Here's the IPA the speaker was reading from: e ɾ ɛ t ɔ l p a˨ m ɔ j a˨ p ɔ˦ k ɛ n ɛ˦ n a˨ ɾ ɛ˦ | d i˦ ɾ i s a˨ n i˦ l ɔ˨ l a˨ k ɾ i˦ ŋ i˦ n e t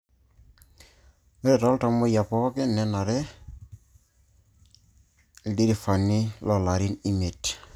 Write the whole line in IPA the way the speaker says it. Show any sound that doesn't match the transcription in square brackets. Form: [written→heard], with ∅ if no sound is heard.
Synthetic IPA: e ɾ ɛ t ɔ l [p→t] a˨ m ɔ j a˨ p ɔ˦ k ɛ n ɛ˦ n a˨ ɾ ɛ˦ | d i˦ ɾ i [s→f] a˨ n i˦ l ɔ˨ l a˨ [k→∅] ɾ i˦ [ŋ→n] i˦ [n→m] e t